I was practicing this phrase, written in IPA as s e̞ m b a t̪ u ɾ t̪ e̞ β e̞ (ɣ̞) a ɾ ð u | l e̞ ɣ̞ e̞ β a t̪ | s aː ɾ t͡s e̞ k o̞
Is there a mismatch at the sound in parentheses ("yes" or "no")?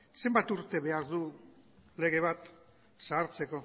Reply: yes